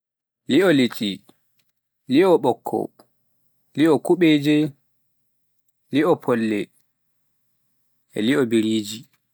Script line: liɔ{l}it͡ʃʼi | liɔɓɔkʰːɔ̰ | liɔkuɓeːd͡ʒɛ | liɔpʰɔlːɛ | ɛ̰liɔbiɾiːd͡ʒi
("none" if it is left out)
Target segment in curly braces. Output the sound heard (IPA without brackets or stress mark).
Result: l